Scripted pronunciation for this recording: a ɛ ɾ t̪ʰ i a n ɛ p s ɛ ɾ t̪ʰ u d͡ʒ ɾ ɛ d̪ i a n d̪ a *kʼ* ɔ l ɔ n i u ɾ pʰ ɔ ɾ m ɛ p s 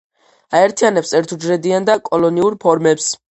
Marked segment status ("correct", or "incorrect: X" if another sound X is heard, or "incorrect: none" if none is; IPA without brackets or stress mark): correct